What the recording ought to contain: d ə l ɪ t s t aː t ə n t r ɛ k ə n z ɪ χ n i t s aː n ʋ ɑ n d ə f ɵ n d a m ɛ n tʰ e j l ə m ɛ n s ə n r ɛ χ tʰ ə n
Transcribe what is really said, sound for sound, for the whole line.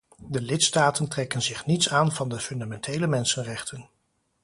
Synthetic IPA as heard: d ə l ɪ t s t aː t ə n t r ɛ k ə n z ɪ χ n i t s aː n v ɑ n d ə f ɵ n d a m ɛ n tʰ e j l ə m ɛ n s ə n r ɛ χ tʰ ə n